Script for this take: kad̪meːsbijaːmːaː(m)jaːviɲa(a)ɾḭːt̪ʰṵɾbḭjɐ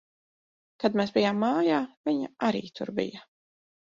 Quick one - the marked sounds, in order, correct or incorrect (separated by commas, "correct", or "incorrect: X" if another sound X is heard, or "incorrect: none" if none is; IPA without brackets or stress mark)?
incorrect: none, correct